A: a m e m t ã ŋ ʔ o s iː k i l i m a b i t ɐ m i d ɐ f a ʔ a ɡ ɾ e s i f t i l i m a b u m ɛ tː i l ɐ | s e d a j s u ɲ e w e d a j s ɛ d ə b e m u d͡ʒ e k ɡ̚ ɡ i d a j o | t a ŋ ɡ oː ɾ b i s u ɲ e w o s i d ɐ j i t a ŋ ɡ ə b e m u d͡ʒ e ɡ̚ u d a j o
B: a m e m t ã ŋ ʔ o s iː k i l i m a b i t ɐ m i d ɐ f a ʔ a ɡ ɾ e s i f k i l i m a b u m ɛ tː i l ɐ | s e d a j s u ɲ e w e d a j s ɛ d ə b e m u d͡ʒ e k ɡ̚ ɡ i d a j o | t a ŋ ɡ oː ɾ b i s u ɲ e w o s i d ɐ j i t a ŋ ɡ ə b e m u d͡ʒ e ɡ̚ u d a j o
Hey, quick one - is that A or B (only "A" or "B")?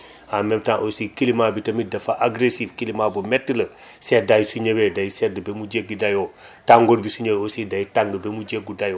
B